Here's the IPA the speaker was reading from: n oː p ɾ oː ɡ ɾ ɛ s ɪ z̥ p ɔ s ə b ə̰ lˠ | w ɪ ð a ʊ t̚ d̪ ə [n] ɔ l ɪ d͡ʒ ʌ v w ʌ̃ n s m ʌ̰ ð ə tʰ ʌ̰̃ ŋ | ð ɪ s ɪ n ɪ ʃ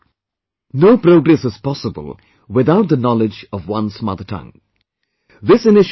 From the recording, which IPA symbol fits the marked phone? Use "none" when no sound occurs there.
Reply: n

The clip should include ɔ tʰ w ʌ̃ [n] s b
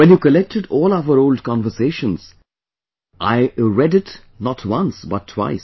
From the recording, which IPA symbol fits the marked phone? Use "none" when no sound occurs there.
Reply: n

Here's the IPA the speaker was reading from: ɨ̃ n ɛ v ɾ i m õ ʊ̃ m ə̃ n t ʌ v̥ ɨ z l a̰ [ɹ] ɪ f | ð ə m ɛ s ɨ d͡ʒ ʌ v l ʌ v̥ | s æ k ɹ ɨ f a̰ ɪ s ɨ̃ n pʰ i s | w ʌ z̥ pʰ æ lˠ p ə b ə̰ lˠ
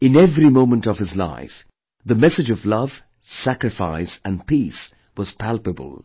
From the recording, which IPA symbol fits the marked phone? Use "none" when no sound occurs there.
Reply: none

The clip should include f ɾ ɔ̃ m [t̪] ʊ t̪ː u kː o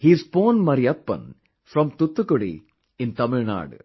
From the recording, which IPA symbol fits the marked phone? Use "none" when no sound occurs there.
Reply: t̪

